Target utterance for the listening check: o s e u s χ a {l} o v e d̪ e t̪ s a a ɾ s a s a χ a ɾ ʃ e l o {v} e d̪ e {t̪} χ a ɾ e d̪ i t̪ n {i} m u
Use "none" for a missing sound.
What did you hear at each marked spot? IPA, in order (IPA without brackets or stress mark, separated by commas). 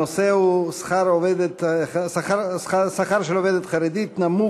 ɾ, v, t̪, a